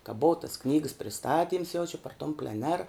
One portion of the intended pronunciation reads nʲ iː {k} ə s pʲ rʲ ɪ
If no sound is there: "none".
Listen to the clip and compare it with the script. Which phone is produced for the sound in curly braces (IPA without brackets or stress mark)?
ɡ